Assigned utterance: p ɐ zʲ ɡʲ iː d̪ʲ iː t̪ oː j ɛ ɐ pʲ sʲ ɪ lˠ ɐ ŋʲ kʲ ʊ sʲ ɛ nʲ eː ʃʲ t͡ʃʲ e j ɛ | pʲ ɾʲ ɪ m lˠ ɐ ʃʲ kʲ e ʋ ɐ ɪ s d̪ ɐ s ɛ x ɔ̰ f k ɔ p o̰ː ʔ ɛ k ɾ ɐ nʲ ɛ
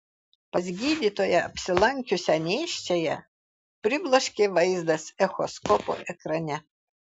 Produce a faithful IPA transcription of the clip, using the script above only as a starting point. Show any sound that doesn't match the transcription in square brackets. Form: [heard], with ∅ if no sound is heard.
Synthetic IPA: p ɐ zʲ ɡʲ iː d̪ʲ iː t̪ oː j ɛ ɐ pʲ sʲ ɪ lˠ ɐ ŋʲ kʲ ʊ sʲ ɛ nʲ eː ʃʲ t͡ʃʲ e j ɛ | pʲ ɾʲ ɪ [b] lˠ ɐ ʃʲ kʲ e ʋ ɐ ɪ [z] d̪ ɐ s ɛ x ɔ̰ [s] k ɔ p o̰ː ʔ ɛ k ɾ ɐ nʲ ɛ